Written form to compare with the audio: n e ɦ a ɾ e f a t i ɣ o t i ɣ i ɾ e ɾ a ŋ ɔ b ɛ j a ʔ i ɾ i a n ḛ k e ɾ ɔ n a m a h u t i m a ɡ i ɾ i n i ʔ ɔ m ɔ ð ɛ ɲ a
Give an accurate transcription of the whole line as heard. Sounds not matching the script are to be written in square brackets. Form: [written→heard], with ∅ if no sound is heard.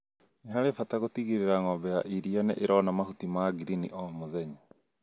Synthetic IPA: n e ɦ a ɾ e f a t [i→a] ɣ o t i ɣ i ɾ e ɾ a ŋ ɔ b ɛ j a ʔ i ɾ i a n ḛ [k→ʔ] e ɾ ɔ n a m a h u t i m a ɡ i ɾ i n i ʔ ɔ m [ɔ→o] ð ɛ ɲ a